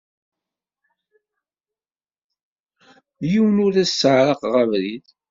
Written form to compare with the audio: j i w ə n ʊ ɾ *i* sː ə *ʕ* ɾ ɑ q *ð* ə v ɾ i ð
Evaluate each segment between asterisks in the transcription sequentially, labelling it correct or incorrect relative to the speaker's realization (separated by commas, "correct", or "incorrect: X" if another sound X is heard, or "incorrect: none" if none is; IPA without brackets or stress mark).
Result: incorrect: æ, correct, incorrect: ʁ